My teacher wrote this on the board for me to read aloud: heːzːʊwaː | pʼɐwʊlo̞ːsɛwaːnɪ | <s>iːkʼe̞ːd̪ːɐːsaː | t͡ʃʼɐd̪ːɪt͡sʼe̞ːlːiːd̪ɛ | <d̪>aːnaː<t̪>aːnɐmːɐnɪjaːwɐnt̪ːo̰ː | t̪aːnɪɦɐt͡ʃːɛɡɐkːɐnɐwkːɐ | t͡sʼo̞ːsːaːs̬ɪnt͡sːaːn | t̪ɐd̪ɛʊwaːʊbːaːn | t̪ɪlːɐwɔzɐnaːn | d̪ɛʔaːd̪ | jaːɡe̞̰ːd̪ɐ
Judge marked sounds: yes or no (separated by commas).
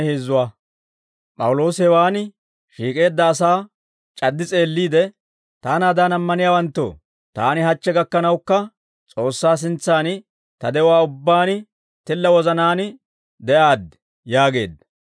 no, no, no